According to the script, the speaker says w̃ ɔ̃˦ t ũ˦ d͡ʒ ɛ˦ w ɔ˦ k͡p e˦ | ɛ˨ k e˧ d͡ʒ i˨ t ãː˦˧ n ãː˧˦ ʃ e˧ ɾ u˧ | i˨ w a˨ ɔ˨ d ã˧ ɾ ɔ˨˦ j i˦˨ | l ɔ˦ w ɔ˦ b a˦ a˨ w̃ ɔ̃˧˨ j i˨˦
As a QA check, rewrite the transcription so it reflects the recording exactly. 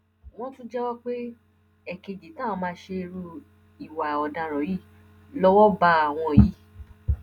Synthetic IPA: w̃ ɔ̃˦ t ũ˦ d͡ʒ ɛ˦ w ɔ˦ k͡p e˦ | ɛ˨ k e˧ d͡ʒ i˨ t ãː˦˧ m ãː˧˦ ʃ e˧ ɾ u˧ | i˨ w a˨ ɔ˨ d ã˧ ɾ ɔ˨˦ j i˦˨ | l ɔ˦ w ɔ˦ b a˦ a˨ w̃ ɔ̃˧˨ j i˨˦

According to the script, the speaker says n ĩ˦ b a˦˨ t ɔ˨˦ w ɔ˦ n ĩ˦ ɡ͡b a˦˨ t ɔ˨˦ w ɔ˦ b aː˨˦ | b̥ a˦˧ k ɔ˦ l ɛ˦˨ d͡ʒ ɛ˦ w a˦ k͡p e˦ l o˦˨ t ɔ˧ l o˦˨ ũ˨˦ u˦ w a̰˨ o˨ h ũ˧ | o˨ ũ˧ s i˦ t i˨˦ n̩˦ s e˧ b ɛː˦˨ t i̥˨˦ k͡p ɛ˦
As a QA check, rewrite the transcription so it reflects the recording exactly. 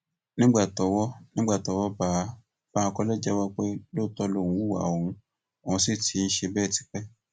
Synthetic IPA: n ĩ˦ ɡ͡b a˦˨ t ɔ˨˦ w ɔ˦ n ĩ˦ ɡ͡b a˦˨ t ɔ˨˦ w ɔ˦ b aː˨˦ | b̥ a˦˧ k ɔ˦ l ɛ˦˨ d͡ʒ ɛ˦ w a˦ k͡p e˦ l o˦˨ t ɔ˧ l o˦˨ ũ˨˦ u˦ w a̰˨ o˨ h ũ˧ | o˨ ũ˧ s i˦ t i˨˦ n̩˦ ʃ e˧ b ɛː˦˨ t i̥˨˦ k͡p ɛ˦

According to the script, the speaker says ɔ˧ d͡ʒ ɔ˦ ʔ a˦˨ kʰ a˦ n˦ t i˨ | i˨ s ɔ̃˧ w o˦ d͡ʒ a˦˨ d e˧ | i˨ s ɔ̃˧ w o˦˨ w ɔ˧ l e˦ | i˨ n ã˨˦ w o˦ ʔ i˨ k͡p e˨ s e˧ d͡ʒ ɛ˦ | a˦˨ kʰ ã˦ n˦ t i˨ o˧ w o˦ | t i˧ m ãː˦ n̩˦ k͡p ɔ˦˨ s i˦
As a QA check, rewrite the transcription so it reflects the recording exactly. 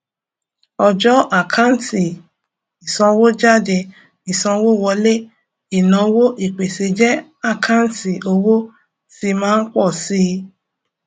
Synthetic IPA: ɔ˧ d͡ʒ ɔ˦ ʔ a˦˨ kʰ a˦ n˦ t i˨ | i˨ s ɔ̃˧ w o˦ d͡ʒ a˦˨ d e˧ | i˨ s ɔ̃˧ w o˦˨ w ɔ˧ l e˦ | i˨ n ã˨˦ w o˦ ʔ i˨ k͡p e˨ s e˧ d͡ʒ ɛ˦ | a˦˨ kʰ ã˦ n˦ t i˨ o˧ w o˦ | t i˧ m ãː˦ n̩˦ k͡p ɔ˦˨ s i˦

